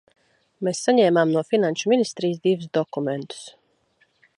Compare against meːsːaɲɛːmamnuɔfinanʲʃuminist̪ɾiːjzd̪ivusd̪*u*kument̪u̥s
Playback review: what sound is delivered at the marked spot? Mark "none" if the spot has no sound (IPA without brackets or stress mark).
ɔ